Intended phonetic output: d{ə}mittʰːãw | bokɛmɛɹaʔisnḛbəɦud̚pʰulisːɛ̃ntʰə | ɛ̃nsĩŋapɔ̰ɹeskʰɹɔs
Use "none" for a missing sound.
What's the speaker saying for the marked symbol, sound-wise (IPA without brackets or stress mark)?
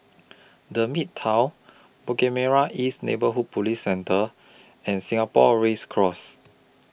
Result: ə